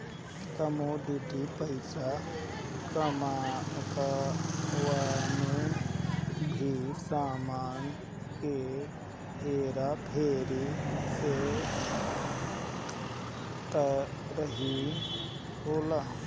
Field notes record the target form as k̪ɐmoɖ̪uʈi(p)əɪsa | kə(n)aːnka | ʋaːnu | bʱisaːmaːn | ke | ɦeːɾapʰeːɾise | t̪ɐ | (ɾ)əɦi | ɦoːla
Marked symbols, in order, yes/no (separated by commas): yes, no, yes